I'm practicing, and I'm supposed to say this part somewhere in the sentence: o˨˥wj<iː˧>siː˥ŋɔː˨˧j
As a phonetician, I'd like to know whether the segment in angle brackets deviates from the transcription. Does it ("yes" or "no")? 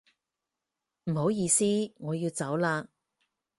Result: no